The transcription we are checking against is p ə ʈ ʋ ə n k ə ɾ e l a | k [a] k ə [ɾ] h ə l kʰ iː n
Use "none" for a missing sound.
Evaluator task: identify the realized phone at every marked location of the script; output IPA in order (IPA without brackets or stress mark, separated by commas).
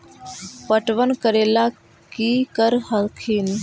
i, ɾ